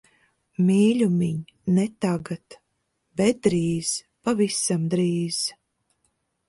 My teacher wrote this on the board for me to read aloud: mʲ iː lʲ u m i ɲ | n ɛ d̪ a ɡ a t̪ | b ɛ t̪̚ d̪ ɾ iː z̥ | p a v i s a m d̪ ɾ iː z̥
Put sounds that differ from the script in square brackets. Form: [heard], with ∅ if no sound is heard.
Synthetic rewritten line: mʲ iː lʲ u m i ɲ | n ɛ [t̪] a ɡ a t̪ | b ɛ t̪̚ d̪ ɾ iː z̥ | p a v i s a m d̪ ɾ iː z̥